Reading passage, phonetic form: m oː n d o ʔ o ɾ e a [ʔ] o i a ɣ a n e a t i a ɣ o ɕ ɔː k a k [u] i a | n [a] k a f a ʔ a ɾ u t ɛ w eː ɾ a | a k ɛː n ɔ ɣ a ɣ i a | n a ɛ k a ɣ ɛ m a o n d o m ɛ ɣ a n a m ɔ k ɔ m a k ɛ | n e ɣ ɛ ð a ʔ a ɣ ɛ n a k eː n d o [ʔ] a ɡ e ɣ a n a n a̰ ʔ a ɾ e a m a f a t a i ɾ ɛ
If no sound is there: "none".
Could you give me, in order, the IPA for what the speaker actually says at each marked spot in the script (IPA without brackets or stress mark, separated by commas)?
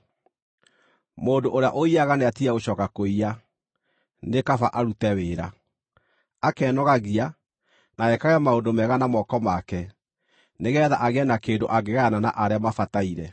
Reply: ʔ, o, e, ʔ